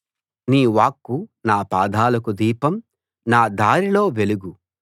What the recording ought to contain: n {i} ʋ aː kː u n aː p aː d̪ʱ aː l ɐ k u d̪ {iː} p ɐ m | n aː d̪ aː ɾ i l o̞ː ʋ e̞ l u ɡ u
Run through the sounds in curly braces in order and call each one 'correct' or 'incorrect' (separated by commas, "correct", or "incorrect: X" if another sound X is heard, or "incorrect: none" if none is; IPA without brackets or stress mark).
incorrect: iː, correct